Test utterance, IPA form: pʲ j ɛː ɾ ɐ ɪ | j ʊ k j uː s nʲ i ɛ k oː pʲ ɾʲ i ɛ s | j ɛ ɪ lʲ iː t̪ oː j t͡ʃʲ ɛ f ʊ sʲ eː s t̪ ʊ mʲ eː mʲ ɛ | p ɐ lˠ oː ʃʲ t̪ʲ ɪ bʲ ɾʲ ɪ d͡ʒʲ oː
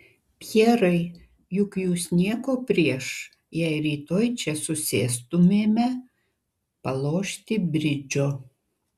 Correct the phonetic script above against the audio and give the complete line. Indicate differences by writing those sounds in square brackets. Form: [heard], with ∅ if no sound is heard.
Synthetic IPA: pʲ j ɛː ɾ ɐ ɪ | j ʊ k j uː s nʲ i ɛ k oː pʲ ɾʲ i ɛ [ʃ] | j ɛ ɪ [ɾʲ] iː t̪ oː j t͡ʃʲ ɛ [s] ʊ sʲ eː s t̪ ʊ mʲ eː mʲ ɛ | p ɐ lˠ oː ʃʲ t̪ʲ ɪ bʲ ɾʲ ɪ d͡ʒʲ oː

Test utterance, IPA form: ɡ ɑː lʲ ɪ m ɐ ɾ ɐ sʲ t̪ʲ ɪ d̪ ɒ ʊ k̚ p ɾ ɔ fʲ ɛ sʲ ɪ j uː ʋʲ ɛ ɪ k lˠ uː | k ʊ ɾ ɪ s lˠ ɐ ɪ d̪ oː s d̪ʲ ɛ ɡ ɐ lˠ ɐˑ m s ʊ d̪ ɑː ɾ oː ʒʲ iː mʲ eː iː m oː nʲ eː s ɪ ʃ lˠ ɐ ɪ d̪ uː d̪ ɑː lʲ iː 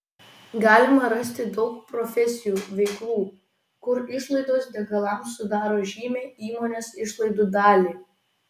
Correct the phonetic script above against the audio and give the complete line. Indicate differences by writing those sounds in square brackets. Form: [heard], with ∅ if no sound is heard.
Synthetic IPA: ɡ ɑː lʲ ɪ m ɐ ɾ ɐ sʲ t̪ʲ ɪ d̪ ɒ ʊ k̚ p ɾ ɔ fʲ ɛ sʲ ɪ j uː ʋʲ ɛ ɪ k lˠ uː | k ʊ ɾ ɪ [ʃ] lˠ ɐ ɪ d̪ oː s d̪ʲ ɛ ɡ ɐ lˠ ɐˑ m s ʊ d̪ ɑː ɾ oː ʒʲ iː mʲ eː iː m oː nʲ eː s ɪ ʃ lˠ ɐ ɪ d̪ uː d̪ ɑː lʲ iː

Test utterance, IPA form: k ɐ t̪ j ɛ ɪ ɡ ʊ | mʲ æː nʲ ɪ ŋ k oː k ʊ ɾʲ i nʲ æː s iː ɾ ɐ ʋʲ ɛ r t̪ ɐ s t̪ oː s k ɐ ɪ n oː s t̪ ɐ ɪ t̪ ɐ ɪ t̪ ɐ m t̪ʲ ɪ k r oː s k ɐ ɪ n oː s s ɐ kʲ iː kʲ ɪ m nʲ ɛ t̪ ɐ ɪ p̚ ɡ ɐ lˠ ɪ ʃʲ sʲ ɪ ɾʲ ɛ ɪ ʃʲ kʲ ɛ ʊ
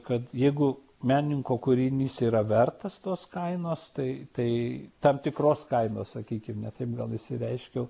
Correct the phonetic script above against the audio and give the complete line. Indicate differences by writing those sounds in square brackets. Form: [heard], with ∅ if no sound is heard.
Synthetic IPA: k ɐ t̪ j ɛ ɪ ɡ ʊ | mʲ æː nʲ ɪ ŋ k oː k ʊ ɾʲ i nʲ [iː] s iː ɾ ɐ ʋʲ ɛ r t̪ ɐ s t̪ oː s k ɐ ɪ n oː s t̪ ɐ ɪ t̪ ɐ ɪ t̪ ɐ m t̪ʲ ɪ k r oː s k ɐ ɪ n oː s s ɐ kʲ iː kʲ ɪ m nʲ ɛ t̪ ɐ ɪ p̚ ɡ ɐ lˠ ɪ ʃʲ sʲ ɪ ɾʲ ɛ ɪ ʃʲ kʲ ɛ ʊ

